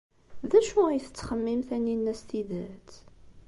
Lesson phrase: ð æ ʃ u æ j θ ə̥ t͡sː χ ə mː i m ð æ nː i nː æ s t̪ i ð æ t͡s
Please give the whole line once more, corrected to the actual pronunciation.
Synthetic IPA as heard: ð æ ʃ u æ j θ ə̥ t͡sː χ ə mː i m θ æ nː i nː æ s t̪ i ð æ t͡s